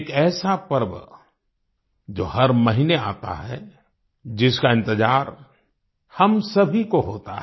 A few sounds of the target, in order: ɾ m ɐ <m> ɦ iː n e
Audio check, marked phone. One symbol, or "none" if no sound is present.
none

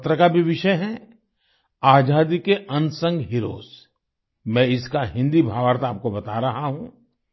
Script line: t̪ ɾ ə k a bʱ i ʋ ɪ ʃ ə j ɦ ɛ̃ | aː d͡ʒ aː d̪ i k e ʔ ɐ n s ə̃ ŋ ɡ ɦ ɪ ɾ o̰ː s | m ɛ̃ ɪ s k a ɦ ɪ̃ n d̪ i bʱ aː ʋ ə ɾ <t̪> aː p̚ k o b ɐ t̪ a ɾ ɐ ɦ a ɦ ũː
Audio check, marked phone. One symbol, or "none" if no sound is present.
t̪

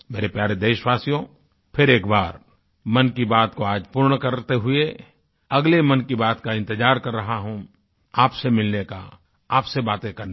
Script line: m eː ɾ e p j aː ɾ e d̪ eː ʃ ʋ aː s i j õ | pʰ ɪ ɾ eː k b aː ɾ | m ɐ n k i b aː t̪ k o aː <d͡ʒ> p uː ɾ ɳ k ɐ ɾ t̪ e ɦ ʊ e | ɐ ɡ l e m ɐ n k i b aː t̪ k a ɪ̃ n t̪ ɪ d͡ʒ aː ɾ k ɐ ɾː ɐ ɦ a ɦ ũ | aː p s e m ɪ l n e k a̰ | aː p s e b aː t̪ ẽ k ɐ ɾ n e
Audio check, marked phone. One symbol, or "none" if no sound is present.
d͡ʒ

